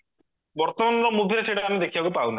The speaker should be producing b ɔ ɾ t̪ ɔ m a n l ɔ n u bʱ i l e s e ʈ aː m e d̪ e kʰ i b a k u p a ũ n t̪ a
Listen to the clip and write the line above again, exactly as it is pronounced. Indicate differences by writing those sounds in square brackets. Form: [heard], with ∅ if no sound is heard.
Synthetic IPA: b ɔ ɾ t̪ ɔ m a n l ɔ [m] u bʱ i [ɾ] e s e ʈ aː m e d̪ e kʰ i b a k u p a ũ n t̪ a